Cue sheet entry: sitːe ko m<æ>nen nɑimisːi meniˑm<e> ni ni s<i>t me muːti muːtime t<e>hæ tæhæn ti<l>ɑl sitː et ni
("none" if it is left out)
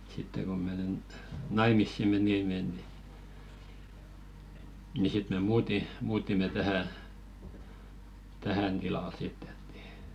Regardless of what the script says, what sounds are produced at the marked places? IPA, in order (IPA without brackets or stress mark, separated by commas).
e, e, i, æ, l